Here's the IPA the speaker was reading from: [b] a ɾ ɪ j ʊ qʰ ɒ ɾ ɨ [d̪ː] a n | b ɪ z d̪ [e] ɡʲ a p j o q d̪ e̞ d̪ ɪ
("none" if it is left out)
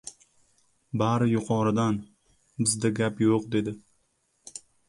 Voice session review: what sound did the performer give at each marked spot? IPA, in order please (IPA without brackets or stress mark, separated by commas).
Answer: b, d̪, a